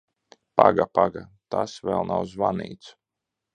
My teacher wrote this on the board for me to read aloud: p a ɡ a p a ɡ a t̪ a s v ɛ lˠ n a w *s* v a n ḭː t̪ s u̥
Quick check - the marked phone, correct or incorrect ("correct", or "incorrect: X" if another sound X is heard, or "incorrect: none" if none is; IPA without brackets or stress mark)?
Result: incorrect: z